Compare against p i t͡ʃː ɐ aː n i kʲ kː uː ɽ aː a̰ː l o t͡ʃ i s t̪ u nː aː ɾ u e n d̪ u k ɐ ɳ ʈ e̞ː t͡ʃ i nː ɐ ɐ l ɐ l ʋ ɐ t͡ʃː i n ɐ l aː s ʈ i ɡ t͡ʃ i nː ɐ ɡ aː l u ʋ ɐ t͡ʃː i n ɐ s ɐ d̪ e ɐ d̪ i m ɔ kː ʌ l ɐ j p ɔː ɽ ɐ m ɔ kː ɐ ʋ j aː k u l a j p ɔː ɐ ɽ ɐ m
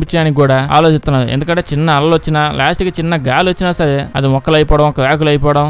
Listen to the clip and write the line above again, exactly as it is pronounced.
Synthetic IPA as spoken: p i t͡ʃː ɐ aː n i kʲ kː uː ɽ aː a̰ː l o t͡ʃ i s t̪ u nː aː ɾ u e n d̪ u k ɐ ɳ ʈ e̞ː t͡ʃ i nː ɐ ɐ l ɐ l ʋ ɐ t͡ʃː i n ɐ l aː s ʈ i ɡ t͡ʃ i nː ɐ ɡ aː l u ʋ ɐ t͡ʃː i n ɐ s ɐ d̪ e ɐ d̪ i m ɔ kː ɐ l ɐ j p ɔː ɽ ɐ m ɔ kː ɐ ʋ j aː k u l ɐ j p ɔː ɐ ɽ ɐ m

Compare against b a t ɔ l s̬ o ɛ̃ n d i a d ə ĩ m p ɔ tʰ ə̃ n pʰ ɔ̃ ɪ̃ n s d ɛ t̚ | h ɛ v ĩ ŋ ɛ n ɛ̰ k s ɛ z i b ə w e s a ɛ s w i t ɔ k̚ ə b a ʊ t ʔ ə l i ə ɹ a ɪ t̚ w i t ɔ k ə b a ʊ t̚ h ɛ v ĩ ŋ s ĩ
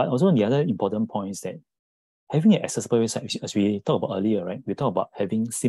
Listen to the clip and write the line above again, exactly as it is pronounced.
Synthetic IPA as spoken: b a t ɔ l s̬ o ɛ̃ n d i a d ə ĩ m p ɔ t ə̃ n pʰ ɔ̃ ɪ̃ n s d ɛ t̚ | h ɛ v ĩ ŋ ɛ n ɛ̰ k s ɛ s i b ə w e s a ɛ s w i t ɔ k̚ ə b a ʊ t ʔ ə l i ə ɹ a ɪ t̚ w i t ɔ k ə b a ʊ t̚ h ɛ v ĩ ŋ s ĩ

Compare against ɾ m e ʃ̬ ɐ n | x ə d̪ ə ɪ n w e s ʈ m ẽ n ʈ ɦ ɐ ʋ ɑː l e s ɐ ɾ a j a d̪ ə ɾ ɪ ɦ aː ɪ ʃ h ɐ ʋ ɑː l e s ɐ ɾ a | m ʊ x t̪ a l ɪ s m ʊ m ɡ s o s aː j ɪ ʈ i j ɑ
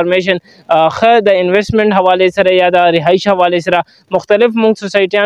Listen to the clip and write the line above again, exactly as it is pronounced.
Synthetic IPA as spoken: ɾ m e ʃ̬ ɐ n | x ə d̪ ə ɪ n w e s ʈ m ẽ ɳ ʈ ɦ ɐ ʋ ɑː l e s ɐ ɾ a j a d̪ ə ɾ ɪ ɦ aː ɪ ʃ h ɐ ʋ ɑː l e s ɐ ɾ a | m ʊ x t̪ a l ɪ f m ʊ ŋ ɡ s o s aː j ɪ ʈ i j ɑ

